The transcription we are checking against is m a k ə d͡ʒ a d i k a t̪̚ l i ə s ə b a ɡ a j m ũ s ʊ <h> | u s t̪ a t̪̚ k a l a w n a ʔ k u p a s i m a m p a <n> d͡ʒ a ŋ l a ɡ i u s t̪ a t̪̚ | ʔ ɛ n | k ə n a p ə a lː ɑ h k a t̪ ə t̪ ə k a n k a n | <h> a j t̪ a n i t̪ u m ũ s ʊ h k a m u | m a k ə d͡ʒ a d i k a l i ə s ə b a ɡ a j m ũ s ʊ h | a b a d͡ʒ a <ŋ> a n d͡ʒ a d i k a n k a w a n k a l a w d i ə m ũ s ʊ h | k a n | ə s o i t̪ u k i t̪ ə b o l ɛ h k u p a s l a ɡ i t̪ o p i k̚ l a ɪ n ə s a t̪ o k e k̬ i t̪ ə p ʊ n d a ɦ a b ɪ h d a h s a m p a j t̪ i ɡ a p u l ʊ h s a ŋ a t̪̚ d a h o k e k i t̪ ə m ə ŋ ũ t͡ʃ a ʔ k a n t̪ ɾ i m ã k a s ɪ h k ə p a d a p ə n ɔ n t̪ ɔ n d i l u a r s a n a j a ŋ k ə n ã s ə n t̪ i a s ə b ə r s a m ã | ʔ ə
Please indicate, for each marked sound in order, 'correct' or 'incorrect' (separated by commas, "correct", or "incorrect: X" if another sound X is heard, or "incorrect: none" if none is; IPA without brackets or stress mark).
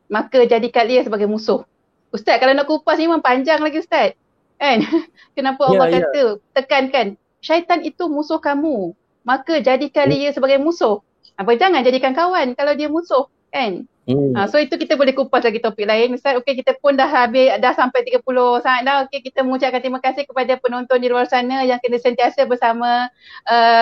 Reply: correct, incorrect: ɲ, incorrect: ʃ, correct